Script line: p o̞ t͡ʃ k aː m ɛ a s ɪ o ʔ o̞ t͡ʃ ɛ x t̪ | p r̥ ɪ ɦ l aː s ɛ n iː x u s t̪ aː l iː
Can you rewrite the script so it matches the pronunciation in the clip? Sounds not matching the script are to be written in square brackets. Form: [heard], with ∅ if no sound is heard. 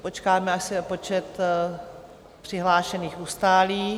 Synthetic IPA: p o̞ t͡ʃ k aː m ɛ a s ɪ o [p] o̞ t͡ʃ ɛ [∅] t̪ | p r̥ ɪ ɦ l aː [ʃ] ɛ n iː x u s t̪ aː l iː